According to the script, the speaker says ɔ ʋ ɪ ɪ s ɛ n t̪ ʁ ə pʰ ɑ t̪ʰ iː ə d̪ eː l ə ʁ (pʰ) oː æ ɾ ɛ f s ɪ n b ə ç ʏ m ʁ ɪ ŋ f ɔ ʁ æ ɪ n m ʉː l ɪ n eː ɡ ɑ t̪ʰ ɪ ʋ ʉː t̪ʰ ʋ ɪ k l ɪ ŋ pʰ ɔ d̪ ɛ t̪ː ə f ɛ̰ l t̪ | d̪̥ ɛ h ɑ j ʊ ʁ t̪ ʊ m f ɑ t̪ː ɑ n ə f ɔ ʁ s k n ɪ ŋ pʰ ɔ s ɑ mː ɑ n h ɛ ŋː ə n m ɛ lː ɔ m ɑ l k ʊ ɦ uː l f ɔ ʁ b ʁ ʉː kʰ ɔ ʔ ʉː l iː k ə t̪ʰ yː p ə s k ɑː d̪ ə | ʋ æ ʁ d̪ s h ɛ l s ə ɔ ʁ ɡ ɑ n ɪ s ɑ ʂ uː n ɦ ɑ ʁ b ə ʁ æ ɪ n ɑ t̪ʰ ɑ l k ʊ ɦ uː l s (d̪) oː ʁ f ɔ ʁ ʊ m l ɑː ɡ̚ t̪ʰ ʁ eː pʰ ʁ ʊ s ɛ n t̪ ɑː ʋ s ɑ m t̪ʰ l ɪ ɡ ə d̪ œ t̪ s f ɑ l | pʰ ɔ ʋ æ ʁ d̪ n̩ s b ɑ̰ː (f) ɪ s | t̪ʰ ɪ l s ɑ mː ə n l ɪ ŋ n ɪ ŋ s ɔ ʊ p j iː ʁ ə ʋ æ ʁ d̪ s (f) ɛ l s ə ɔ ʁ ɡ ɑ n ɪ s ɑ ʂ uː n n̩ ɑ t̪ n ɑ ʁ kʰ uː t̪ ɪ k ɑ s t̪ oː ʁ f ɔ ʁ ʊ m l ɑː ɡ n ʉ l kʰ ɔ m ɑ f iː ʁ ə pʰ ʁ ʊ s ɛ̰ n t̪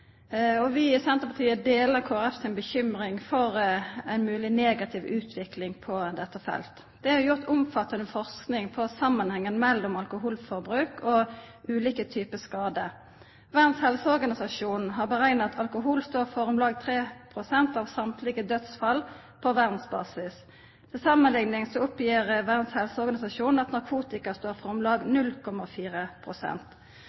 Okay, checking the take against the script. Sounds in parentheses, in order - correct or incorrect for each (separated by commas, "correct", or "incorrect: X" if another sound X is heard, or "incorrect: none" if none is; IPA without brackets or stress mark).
incorrect: kʰ, incorrect: t̪, incorrect: s, incorrect: h